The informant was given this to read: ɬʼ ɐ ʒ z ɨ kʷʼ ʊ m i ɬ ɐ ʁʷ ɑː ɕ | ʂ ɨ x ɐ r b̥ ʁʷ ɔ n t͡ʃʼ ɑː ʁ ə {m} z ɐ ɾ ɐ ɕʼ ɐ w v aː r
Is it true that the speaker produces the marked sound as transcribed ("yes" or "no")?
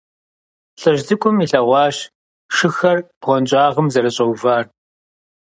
yes